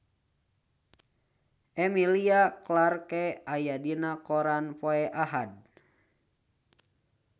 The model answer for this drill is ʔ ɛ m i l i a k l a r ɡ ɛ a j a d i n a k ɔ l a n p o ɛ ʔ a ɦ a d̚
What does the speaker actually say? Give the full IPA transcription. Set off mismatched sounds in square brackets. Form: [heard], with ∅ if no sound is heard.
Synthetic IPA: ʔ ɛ m i l i a k l a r [k] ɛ a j a d i n a k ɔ [ɾ] a n p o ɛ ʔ a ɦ a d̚